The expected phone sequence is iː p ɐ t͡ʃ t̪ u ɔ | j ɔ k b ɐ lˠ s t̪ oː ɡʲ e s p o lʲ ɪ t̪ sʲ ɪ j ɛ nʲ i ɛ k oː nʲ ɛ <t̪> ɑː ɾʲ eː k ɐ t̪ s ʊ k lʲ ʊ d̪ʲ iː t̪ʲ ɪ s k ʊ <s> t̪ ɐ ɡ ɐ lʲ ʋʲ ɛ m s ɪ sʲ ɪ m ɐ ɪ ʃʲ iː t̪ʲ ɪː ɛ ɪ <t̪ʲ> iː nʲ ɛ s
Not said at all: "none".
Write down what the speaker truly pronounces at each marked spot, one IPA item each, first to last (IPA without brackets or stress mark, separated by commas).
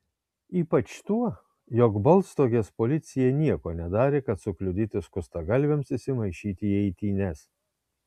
d̪, s, t̪ʲ